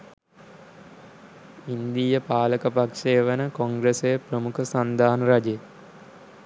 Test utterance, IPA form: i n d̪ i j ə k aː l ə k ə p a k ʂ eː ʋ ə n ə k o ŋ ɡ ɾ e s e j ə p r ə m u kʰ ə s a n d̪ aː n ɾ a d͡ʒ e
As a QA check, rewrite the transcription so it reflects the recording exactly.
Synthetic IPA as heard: i n d̪ i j ə p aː l ə k ə p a k ʂ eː ʋ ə n ə k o ŋ ɡ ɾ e s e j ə p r ə m u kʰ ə s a n d̪ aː n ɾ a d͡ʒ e